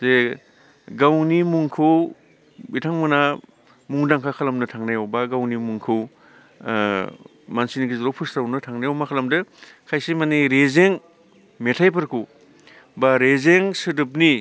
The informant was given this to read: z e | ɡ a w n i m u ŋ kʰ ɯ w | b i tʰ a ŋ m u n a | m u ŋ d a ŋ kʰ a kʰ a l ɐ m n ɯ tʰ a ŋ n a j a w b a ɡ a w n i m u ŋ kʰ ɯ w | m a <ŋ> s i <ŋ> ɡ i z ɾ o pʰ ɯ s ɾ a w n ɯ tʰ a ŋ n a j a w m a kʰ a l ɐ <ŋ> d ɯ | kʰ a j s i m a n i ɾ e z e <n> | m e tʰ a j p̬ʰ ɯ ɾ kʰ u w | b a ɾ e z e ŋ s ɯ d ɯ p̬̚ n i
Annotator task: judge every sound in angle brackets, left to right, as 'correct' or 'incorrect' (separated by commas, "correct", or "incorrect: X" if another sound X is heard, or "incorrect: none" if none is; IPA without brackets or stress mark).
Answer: incorrect: n, incorrect: n, incorrect: m, incorrect: ŋ